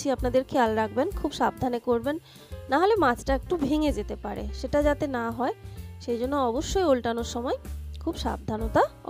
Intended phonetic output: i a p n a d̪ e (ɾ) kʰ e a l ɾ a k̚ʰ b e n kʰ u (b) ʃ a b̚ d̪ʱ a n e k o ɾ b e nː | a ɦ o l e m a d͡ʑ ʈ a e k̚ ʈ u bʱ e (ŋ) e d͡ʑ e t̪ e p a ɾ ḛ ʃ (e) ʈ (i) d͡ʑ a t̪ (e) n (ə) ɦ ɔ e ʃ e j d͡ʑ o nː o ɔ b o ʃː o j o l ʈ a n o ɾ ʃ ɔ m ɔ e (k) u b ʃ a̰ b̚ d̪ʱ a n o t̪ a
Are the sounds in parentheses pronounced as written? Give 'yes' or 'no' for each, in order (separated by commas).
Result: yes, yes, yes, yes, no, yes, no, no